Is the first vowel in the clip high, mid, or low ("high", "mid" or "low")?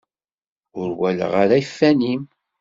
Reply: high